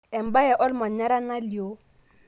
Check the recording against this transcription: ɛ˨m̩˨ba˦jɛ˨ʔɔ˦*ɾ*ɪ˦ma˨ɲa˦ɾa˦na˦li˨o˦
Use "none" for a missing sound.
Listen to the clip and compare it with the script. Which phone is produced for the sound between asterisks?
l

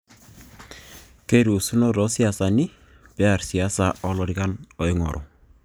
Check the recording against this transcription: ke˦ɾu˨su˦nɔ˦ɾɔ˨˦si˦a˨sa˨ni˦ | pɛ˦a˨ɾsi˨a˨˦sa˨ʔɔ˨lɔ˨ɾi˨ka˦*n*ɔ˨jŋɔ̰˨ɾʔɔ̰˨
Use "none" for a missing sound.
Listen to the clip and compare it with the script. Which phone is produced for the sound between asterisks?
n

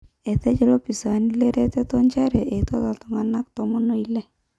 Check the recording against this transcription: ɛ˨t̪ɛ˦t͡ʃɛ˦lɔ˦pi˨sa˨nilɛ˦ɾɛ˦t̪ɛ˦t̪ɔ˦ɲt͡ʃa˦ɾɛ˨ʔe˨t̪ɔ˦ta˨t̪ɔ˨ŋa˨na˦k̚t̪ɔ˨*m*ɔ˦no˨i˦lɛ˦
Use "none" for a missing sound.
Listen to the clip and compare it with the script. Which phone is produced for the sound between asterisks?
m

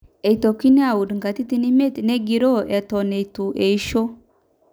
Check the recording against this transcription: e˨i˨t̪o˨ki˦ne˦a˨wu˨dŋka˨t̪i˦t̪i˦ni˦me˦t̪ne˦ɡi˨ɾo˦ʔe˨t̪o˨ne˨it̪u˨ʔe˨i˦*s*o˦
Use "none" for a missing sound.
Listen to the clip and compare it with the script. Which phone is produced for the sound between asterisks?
ʃ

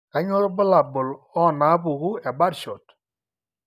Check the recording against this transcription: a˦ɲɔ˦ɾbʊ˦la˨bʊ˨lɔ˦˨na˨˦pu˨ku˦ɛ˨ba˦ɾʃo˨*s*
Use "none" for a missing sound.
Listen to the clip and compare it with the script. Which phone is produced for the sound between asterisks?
t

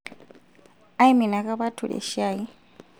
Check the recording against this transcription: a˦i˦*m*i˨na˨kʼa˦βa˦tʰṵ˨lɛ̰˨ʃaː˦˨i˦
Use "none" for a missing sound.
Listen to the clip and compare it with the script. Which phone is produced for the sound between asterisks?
m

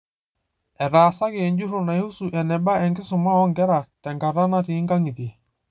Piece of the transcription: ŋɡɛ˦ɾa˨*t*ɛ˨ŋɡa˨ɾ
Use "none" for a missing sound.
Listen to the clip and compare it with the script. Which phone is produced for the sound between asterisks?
t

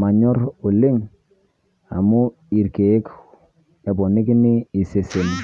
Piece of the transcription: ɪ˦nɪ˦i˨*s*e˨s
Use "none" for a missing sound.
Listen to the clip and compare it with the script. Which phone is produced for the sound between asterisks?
s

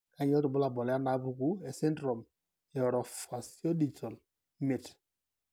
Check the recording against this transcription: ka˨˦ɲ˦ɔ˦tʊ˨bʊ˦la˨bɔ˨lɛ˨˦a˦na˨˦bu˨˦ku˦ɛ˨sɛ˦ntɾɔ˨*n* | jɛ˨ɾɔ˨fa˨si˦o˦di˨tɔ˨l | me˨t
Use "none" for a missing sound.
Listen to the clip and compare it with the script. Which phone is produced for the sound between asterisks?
m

